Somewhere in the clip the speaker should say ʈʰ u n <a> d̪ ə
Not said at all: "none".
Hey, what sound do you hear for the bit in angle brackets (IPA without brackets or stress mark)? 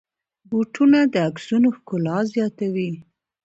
a